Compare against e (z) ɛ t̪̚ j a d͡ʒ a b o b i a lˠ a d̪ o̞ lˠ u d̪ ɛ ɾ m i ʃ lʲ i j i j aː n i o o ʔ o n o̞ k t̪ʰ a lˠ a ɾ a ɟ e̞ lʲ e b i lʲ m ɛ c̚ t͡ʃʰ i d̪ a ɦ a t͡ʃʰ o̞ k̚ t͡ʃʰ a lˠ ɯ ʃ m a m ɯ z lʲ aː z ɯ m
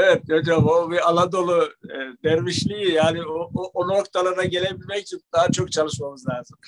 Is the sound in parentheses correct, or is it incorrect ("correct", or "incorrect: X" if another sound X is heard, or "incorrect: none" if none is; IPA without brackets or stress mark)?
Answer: incorrect: v